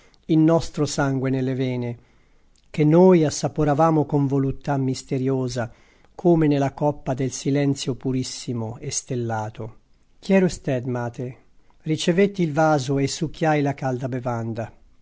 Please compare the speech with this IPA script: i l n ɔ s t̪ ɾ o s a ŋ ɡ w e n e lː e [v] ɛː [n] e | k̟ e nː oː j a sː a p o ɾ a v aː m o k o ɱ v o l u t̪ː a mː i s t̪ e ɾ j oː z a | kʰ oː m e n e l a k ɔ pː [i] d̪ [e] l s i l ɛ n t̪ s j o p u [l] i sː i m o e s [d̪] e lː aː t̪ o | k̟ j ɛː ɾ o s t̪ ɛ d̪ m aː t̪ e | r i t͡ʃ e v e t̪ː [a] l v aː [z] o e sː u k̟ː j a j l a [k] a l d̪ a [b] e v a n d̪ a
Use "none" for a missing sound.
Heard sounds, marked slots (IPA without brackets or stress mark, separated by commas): v, n, a, e, ɾ, t̪, i, z, k, b